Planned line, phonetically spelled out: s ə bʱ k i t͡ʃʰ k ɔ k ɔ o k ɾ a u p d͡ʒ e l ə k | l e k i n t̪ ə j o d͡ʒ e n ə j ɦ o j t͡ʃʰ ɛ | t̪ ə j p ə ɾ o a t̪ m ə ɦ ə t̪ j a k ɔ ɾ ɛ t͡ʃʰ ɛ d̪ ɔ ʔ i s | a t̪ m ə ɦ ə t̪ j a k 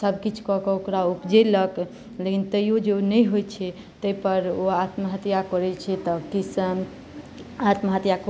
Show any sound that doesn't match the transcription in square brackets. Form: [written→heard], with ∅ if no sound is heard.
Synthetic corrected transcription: s ə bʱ k i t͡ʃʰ k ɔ k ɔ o k ɾ a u p d͡ʒ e l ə k | l e k i n t̪ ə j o d͡ʒ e n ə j ɦ o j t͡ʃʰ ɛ | t̪ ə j p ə ɾ o a t̪ m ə ɦ ə t̪ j a k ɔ ɾ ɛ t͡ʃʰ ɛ [d̪→t̪] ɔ [ʔ→k] i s | a t̪ m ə ɦ ə t̪ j a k